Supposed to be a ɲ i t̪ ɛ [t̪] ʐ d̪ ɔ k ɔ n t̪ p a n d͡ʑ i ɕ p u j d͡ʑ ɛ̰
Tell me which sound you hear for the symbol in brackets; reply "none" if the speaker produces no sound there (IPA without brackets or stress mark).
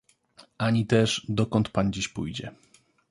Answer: none